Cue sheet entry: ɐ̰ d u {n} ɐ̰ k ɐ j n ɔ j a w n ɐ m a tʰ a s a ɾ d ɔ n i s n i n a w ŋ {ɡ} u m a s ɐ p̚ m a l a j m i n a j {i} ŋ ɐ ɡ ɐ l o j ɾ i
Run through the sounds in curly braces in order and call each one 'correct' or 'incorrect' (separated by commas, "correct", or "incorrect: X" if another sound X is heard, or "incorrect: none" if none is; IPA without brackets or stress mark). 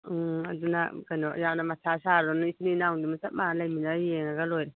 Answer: correct, incorrect: d, incorrect: e